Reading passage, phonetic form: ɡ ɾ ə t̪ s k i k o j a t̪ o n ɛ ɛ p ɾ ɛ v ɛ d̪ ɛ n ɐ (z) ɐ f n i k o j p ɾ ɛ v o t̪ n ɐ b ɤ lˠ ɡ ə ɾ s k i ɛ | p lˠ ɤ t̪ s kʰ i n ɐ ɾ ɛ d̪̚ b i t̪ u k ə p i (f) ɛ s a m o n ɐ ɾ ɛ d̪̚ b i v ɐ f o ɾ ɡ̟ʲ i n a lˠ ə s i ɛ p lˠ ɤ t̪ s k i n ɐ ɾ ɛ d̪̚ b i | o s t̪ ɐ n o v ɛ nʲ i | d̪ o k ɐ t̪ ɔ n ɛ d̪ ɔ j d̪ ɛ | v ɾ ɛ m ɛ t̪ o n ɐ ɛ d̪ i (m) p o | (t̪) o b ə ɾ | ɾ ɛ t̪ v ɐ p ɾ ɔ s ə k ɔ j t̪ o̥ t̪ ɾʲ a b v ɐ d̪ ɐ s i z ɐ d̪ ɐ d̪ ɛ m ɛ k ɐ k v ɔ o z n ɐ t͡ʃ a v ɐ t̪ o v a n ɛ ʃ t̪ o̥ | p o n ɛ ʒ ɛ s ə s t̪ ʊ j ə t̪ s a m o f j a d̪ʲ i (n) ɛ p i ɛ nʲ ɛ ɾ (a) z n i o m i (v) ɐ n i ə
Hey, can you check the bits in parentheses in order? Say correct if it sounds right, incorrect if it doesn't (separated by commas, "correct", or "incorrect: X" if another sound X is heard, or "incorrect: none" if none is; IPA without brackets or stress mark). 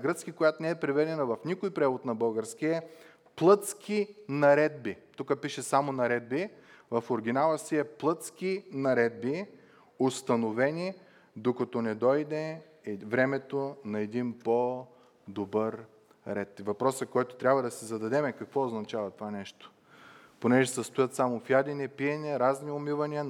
incorrect: v, incorrect: ʃ, incorrect: n, incorrect: d̪, correct, correct, correct